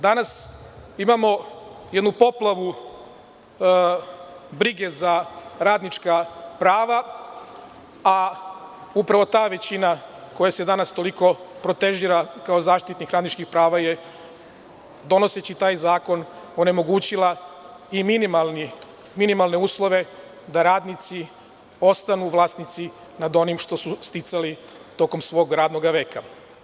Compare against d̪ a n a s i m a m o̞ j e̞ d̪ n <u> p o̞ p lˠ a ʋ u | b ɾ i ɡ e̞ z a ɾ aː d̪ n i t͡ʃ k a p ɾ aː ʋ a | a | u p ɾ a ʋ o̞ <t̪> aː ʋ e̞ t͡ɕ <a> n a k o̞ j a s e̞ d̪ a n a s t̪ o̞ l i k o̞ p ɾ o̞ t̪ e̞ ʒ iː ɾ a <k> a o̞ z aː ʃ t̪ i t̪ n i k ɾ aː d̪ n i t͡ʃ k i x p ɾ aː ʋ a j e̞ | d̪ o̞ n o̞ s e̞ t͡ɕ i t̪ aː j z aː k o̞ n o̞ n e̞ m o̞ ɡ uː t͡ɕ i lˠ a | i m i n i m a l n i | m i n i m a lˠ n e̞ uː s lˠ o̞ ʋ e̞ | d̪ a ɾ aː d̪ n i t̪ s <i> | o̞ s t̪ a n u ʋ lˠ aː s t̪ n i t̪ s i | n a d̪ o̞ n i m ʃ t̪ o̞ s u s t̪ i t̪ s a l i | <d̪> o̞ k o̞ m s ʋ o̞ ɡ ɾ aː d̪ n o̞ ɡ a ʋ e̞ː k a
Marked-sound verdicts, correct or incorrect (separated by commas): correct, correct, incorrect, correct, correct, incorrect